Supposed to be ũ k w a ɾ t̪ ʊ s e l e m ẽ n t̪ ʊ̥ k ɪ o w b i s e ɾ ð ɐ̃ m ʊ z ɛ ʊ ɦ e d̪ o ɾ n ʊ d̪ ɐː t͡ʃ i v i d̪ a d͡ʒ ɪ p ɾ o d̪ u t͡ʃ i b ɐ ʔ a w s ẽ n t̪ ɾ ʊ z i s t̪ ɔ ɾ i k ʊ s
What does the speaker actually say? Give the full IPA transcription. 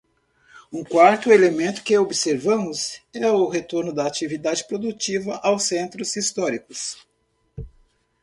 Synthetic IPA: ũ k w a ɾ t̪ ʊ e l e m ẽ n t̪ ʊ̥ k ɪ o b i s e ɾ v ɐ̃ m ʊ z ɛ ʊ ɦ e t̪ o ɾ n ʊ d̪ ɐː t͡ʃ i v i d̪ a d͡ʒ ɪ p ɾ o d̪ u t͡ʃ i v ɐ ʔ a w s ẽ n t̪ ɾ ʊ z i s t̪ ɔ ɾ i k ʊ s